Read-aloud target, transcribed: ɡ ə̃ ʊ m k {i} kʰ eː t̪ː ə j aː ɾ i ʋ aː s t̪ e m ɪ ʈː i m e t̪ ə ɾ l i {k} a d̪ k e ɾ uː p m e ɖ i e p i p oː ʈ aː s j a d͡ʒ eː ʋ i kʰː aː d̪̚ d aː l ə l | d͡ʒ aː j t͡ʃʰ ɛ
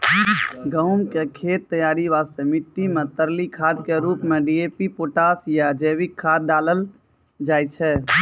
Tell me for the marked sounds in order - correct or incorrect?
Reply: incorrect: e, incorrect: kʰ

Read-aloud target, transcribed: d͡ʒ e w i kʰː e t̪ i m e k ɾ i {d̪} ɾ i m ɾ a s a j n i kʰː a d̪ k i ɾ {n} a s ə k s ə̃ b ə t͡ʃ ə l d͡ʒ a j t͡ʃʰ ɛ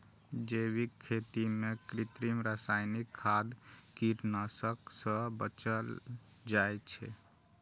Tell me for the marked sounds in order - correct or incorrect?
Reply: incorrect: t̪, correct

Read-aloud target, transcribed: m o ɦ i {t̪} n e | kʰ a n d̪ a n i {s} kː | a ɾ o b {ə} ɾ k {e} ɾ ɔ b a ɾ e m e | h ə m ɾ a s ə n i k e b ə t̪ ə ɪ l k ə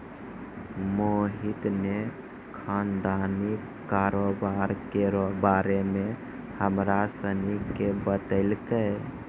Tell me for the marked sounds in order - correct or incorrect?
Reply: correct, incorrect: none, incorrect: a, correct

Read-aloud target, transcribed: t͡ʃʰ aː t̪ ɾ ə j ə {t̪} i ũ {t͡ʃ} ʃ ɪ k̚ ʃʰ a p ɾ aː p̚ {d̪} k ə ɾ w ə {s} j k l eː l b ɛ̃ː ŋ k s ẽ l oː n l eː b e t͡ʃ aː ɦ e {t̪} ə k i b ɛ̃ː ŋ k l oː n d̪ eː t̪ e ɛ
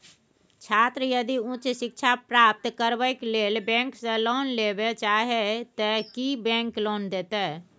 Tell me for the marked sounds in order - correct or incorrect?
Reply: incorrect: d̪, correct, incorrect: t̪, incorrect: none, correct

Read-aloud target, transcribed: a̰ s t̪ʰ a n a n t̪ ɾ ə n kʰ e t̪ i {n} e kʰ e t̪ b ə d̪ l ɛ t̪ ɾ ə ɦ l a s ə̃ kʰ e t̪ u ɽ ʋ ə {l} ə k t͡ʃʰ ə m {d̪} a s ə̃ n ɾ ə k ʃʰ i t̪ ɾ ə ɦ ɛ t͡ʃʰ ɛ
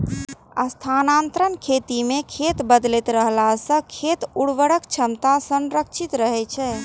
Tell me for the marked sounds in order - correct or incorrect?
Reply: incorrect: m, incorrect: ɽ, incorrect: t̪

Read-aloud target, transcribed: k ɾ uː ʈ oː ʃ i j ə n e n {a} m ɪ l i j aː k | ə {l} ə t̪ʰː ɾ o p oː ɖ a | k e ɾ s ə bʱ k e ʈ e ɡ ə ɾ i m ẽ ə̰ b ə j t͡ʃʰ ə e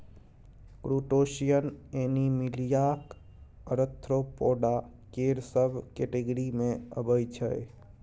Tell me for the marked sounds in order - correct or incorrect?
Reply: incorrect: i, incorrect: ɾ

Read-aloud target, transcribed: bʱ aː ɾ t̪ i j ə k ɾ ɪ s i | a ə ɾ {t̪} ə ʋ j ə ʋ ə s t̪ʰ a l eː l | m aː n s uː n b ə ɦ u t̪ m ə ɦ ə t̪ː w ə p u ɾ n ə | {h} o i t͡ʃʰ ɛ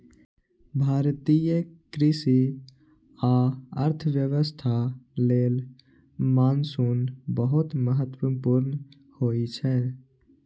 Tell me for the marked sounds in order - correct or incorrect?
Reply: incorrect: t̪ʰ, correct

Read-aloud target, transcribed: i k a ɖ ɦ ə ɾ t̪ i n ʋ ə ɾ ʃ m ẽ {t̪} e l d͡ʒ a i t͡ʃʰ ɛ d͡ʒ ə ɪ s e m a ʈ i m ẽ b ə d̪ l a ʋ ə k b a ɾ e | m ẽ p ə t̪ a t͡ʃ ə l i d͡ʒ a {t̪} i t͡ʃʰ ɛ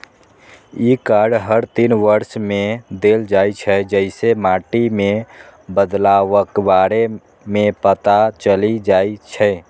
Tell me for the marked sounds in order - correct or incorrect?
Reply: incorrect: d̪, incorrect: none

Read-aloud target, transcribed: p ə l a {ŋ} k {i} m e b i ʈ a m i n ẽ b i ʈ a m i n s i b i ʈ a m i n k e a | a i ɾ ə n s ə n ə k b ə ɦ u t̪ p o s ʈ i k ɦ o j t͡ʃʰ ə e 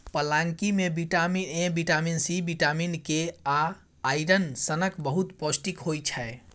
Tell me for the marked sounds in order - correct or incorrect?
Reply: correct, correct

